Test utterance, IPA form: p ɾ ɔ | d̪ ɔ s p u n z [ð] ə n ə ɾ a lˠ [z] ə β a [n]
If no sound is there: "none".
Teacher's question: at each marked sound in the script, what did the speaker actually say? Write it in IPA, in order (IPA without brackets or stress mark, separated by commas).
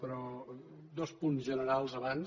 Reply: ʒ, z, n